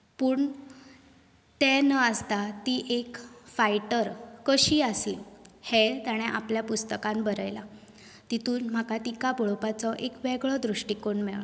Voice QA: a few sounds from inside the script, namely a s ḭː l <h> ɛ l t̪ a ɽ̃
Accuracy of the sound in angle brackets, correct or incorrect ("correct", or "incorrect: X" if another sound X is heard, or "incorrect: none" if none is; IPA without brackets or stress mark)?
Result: correct